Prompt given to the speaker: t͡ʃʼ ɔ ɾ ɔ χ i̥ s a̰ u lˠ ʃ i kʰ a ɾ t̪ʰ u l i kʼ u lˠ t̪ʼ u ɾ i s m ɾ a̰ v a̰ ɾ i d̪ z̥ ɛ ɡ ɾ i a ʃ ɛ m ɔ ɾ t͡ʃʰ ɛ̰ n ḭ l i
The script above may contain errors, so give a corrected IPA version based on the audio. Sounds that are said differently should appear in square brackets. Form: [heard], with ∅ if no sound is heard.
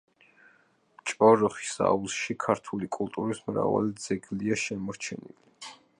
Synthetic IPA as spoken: t͡ʃʼ ɔ ɾ ɔ χ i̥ s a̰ u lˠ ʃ i kʰ a ɾ t̪ʰ u l i kʼ u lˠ t̪ʼ u ɾ i s m ɾ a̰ v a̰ [l] i d̪ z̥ ɛ ɡ [l] i a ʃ ɛ m ɔ ɾ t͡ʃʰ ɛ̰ n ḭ l i